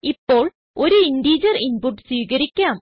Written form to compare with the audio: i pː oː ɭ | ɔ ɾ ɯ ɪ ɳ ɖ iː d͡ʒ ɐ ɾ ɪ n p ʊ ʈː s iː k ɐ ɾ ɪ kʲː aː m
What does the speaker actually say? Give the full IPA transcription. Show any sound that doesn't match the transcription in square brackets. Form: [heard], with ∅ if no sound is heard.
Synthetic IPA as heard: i pː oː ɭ | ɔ ɾ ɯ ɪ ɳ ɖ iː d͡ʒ ɐ ɾ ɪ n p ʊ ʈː s iː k ɐ ɾ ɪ kʲː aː m